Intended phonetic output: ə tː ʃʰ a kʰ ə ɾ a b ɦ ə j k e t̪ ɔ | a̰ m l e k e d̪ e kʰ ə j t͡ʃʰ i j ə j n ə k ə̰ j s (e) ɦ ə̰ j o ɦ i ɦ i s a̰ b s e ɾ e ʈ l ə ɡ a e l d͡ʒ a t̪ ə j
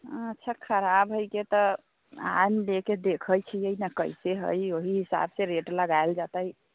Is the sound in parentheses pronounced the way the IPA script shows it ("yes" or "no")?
yes